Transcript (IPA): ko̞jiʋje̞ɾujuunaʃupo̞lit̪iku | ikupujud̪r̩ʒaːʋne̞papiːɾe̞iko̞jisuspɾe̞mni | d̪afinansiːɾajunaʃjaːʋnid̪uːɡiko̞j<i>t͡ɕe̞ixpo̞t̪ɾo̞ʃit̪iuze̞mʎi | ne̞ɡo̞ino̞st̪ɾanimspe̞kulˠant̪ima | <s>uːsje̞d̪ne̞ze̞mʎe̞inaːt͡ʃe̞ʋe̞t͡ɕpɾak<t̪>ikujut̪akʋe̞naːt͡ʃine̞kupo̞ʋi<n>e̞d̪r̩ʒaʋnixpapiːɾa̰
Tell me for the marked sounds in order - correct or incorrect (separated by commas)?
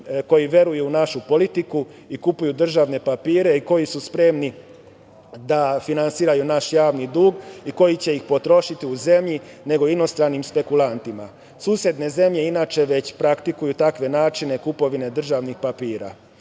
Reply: correct, correct, correct, correct